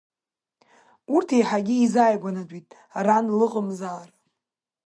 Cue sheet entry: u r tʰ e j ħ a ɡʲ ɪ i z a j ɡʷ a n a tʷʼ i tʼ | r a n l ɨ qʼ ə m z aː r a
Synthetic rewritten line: u r tʰ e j ħ a ɡʲ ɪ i z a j ɡʷ a n a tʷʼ i tʼ | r a n l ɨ qʼ ə m z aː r a